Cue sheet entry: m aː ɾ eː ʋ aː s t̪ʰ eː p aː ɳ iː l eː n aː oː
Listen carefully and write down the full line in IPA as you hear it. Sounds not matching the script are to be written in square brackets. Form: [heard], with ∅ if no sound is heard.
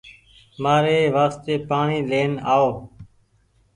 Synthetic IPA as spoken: m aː ɾ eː ʋ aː s [t̪] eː p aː ɳ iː l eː n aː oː